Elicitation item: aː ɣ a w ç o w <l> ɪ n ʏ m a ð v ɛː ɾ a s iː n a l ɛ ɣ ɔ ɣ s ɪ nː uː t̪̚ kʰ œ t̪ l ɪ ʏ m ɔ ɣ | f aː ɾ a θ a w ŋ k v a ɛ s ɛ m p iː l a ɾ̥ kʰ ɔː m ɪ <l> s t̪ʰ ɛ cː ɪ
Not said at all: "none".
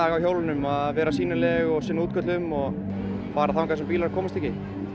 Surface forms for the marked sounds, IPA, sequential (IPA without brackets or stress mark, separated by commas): l, none